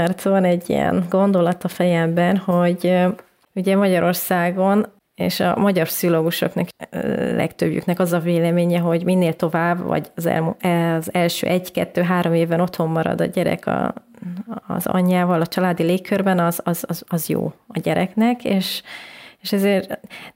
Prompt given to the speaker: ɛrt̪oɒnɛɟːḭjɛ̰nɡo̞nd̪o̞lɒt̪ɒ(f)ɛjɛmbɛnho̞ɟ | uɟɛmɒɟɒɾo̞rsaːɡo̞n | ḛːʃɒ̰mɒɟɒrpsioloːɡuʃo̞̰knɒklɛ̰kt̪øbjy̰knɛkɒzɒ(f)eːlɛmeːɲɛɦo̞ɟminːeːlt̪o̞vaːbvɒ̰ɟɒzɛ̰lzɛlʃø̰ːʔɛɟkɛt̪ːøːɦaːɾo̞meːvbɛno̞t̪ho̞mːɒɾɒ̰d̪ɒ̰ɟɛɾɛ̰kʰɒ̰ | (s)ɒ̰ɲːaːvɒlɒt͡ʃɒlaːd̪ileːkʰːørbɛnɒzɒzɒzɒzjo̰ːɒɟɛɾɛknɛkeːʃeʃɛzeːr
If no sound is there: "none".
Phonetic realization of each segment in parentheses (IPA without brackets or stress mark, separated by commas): f, v, z